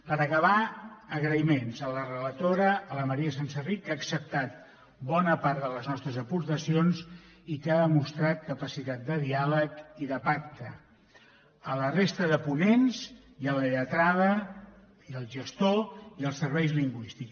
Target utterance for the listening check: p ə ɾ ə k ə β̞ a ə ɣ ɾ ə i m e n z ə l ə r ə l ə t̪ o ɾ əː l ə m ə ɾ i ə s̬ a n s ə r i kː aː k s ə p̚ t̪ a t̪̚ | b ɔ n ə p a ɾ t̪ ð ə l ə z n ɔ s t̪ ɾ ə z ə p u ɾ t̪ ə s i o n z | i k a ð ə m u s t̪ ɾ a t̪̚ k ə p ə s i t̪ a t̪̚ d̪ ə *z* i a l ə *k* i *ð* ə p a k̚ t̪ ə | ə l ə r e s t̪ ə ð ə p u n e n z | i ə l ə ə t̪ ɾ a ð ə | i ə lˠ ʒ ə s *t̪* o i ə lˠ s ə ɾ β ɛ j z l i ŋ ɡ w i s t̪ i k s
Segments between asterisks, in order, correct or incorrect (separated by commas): incorrect, correct, correct, correct